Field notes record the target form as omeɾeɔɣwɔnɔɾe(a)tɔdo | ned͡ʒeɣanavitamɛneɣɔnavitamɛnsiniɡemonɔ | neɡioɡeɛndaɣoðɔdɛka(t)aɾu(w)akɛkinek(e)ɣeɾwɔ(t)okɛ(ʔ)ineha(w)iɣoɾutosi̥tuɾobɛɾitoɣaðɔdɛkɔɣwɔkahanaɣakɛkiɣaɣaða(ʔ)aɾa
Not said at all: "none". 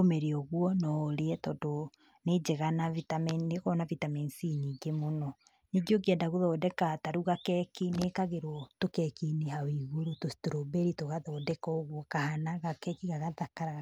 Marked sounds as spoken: ɛ, t, ɣ, a, t, k, w, k

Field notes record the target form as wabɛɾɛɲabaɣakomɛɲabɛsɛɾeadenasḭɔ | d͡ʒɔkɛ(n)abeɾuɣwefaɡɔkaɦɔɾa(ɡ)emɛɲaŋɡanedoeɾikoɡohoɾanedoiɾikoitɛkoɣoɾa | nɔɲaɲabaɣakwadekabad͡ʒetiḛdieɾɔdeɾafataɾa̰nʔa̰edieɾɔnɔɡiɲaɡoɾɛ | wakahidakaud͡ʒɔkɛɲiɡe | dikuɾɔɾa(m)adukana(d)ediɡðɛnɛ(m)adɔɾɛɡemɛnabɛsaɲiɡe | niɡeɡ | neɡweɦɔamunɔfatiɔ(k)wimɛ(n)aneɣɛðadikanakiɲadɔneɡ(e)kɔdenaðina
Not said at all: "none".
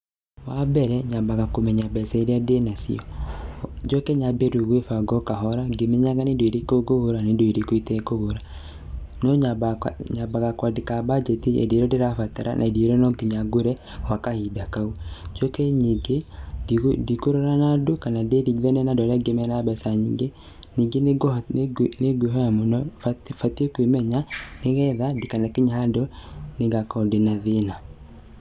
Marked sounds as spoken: ɲ, ɡ, n, d, n, k, ɲ, a

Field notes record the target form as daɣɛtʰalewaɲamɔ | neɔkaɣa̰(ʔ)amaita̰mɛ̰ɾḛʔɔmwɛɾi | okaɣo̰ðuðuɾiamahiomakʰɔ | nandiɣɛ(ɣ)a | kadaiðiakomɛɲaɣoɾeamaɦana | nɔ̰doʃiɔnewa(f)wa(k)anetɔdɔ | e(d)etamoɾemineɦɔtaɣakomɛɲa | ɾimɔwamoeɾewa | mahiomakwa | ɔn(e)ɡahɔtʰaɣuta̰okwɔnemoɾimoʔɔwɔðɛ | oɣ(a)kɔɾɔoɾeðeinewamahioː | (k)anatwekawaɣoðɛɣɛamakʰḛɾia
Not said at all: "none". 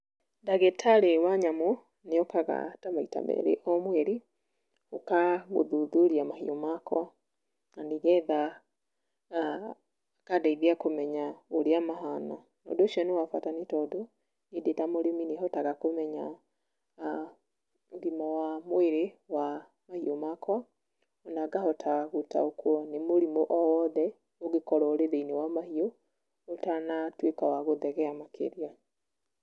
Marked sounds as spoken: t, ð, f, t, d, a, e, t

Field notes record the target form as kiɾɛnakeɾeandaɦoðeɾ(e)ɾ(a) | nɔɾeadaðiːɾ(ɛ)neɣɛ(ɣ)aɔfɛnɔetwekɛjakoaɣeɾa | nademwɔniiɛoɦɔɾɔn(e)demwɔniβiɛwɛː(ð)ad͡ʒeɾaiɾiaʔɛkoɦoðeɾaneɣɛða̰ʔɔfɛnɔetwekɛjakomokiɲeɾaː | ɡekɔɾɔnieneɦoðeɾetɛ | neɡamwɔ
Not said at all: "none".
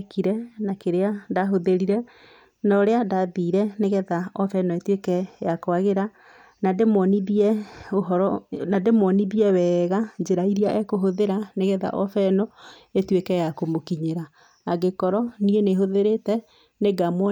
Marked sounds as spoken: i, ɛ, ɛ, ð, a, ɣ

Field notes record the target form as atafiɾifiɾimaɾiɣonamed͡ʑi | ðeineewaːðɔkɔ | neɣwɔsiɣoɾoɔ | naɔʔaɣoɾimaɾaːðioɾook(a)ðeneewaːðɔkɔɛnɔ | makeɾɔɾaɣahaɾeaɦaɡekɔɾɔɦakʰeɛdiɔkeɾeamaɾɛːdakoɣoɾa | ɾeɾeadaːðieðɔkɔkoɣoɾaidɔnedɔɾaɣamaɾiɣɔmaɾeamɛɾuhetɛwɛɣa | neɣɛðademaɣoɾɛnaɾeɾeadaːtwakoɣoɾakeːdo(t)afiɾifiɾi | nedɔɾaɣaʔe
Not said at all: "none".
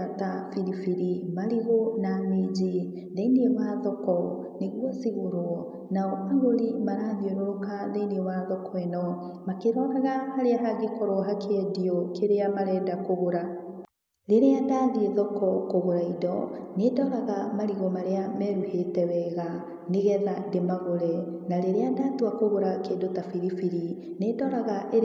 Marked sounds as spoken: a, t

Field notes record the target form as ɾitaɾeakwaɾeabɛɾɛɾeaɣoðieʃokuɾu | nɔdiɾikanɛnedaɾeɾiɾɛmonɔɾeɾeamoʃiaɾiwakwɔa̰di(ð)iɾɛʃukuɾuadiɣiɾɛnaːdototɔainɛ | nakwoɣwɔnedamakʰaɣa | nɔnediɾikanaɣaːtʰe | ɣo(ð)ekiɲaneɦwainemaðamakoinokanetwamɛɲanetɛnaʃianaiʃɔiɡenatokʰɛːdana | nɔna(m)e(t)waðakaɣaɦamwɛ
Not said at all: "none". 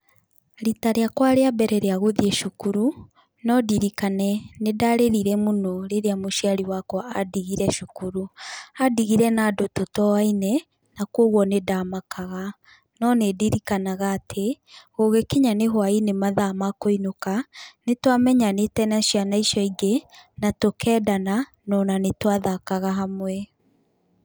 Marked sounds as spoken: ɣ, ɣ, n, t

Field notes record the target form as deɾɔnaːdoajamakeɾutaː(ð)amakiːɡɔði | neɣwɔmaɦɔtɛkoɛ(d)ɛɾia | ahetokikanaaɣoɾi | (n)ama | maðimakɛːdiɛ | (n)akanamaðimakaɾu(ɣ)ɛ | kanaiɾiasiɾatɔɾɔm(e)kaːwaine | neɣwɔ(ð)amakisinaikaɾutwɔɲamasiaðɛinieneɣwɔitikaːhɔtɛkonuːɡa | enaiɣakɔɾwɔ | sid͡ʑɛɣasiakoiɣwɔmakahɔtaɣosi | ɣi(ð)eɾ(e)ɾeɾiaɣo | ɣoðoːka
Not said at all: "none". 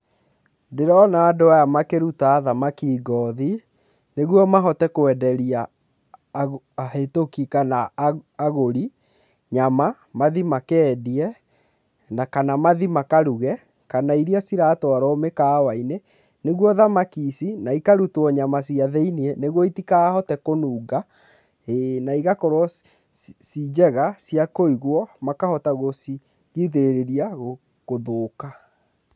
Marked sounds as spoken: ð, d, ɲ, n, ɣ, e, ð, ð, e

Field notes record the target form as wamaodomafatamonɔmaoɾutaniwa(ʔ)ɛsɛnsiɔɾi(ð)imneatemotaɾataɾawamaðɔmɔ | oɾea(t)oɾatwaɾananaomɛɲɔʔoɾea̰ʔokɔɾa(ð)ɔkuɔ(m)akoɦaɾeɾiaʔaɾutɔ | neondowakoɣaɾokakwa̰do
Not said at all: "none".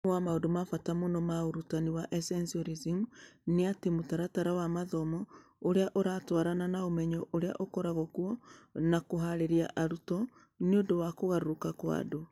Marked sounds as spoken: ʔ, z, ʔ, ɣ, n

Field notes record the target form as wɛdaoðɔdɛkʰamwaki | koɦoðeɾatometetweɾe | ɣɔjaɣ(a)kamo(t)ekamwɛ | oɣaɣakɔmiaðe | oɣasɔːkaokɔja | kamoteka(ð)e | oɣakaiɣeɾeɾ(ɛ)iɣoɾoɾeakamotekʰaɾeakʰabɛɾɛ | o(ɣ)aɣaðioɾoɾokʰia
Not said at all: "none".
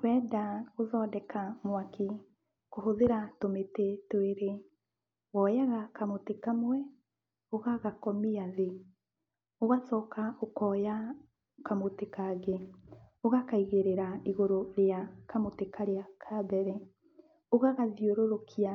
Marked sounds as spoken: a, t, ɣ, a, ɣ

